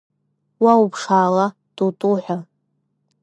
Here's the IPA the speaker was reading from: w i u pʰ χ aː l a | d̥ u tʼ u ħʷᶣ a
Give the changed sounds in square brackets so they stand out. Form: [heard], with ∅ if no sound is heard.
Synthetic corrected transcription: w [a] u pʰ [ʂ] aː l a | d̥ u tʼ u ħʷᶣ a